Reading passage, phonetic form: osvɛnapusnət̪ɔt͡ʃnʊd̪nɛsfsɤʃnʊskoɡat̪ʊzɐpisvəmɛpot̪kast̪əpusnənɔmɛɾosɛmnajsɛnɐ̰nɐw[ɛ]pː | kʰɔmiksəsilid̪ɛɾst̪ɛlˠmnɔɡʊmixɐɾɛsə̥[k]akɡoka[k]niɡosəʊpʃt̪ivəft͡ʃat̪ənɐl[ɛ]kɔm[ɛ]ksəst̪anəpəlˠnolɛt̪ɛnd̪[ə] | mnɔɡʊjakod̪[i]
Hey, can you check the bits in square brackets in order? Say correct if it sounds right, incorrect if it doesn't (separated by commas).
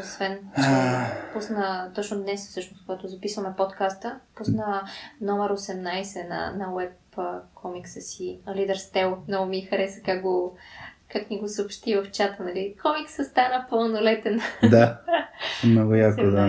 correct, correct, correct, incorrect, incorrect, incorrect, incorrect